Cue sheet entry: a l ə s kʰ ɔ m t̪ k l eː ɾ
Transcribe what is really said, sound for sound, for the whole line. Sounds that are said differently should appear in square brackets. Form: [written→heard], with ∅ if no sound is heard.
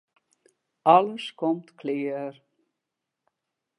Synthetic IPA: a l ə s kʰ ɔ m t̪ [k→kʰ] l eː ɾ